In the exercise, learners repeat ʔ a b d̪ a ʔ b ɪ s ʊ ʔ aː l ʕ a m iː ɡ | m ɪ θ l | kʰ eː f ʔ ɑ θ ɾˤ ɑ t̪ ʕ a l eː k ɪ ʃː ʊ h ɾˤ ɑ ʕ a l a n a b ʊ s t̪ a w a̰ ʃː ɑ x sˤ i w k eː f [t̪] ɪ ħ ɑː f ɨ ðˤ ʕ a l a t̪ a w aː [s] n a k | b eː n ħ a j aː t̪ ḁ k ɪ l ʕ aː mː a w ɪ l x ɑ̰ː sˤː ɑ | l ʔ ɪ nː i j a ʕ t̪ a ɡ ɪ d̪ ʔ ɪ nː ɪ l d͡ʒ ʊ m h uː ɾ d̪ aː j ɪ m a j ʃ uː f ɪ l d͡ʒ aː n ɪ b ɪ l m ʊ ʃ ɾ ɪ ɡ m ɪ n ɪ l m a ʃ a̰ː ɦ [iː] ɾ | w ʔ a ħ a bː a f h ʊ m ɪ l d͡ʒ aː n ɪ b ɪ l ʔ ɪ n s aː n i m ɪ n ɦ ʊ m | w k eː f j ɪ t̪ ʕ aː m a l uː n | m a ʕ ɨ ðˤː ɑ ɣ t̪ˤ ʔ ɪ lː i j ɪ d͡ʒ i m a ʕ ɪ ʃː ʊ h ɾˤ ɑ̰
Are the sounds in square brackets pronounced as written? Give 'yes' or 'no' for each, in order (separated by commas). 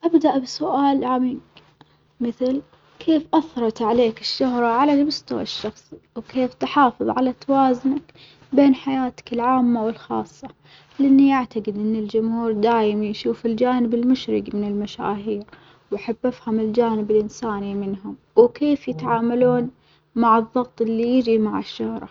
yes, no, yes